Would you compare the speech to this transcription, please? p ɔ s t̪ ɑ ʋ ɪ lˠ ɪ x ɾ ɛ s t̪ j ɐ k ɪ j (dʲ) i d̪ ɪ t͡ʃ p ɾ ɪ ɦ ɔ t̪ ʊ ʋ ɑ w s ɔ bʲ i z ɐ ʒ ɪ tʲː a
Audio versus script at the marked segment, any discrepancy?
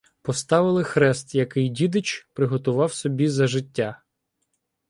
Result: no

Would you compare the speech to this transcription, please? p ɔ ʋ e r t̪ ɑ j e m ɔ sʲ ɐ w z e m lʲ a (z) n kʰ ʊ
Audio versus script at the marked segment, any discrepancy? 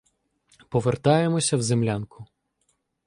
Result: yes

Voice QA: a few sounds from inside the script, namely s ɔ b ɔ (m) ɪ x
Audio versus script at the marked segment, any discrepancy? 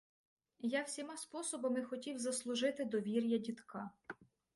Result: no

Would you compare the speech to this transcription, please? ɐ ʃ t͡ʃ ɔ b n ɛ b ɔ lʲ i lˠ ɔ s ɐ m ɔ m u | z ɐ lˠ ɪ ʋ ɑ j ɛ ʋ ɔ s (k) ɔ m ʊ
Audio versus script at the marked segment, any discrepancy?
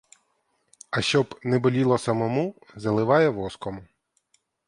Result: no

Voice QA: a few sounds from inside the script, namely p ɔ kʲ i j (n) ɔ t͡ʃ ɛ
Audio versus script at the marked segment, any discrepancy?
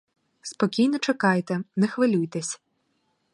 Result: no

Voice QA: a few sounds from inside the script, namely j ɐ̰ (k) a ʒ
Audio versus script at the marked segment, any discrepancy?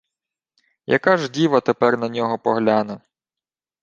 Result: no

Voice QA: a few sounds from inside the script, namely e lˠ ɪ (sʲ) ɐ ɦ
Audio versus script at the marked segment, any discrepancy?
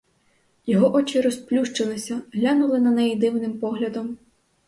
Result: no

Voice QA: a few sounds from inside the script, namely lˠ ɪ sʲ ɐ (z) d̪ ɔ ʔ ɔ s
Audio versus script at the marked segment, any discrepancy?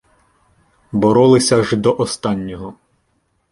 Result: yes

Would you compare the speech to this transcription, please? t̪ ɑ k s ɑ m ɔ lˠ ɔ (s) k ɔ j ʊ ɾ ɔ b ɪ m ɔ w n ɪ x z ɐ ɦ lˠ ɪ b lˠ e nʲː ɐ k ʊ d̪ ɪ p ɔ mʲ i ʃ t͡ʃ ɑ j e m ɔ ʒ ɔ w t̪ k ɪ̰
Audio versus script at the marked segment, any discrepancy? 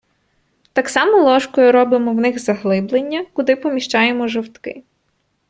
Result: yes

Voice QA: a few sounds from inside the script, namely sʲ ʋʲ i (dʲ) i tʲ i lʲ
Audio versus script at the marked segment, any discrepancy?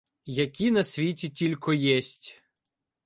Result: yes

